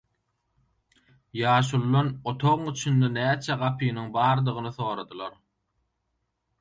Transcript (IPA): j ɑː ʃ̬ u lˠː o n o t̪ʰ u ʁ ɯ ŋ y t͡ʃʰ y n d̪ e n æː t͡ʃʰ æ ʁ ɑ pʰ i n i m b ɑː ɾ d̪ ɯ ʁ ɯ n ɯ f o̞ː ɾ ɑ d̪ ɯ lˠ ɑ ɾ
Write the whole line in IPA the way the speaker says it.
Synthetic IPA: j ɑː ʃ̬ u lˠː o n o t̪ʰ o ʁ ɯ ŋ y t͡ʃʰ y n d̪ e n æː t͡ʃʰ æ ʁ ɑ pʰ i n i ŋ b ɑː ɾ d̪ ɯ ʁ ɯ n ɯ θ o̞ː ɾ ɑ d̪ ɯ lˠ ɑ ɾ